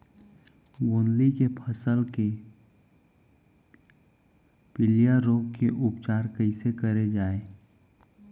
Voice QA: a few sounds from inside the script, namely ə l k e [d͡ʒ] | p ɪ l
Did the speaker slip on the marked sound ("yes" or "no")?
yes